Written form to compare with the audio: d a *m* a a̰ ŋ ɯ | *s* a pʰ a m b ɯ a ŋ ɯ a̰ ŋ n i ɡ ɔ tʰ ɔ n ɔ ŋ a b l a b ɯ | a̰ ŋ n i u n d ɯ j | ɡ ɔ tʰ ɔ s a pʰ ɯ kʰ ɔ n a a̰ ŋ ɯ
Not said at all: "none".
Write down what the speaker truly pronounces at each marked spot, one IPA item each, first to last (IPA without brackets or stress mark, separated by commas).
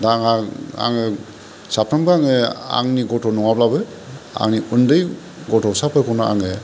ŋ, s